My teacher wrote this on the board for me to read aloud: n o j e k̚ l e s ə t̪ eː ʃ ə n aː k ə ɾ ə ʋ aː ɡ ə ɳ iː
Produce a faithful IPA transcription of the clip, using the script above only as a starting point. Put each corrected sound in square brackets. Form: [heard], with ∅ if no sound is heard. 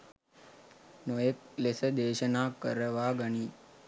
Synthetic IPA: n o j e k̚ l e s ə [d̪] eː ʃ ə n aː k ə ɾ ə ʋ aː ɡ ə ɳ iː